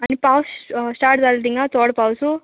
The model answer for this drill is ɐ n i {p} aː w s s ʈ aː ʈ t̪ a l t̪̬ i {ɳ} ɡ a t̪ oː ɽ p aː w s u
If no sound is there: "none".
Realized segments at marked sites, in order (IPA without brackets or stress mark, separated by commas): p, ŋ